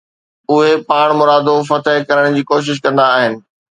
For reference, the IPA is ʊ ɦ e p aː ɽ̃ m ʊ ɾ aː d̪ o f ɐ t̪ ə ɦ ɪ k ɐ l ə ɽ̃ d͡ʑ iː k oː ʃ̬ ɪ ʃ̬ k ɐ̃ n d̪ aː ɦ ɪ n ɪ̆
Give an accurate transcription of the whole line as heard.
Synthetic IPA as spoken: ʊ ɦ e p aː ɽ̃ m ʊ ɾ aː d̪ o f ɐ t̪ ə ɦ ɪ k ɐ ɾ ə ɽ̃ d͡ʑ iː k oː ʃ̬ ɪ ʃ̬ k ɐ̃ n d̪ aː ɦ ɪ n ɪ̆